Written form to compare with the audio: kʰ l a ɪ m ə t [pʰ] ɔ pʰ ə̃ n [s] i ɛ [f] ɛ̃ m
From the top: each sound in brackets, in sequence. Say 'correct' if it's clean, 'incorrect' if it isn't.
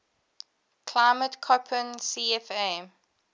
incorrect: kʰ, correct, correct

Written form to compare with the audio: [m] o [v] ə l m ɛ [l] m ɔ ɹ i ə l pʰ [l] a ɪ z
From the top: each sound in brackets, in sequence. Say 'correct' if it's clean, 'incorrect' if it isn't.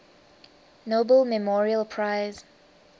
incorrect: n, incorrect: b, incorrect: none, incorrect: ɹ

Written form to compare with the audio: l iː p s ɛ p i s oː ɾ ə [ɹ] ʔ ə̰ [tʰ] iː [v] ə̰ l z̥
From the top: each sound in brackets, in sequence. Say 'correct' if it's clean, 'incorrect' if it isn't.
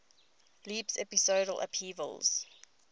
incorrect: l, incorrect: pʰ, correct

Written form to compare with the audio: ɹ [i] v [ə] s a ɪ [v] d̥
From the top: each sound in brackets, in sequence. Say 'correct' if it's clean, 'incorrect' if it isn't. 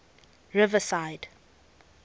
incorrect: ɪ, correct, incorrect: none

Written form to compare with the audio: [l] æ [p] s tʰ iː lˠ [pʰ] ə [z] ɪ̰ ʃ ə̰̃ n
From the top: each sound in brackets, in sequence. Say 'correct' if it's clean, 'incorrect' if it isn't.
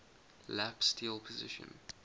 correct, correct, correct, correct

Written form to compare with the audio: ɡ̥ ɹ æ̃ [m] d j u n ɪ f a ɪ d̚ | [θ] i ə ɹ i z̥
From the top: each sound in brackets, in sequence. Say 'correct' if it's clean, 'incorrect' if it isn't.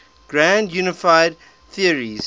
incorrect: n, correct

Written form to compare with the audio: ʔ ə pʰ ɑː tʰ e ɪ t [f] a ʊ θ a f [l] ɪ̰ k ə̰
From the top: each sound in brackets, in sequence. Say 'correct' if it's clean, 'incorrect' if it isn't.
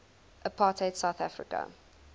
incorrect: s, incorrect: ɹ

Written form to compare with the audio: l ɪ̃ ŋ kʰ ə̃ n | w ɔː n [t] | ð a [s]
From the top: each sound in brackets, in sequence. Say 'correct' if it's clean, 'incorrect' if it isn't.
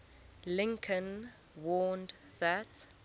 incorrect: d, incorrect: t

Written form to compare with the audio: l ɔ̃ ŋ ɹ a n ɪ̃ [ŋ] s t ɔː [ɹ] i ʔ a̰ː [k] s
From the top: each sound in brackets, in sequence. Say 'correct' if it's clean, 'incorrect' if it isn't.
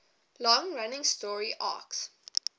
correct, correct, correct

